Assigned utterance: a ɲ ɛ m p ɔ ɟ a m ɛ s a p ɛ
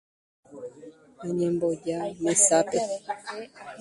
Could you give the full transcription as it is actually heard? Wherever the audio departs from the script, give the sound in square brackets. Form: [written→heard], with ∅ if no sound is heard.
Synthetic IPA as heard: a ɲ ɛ m [p→b] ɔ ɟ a m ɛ s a p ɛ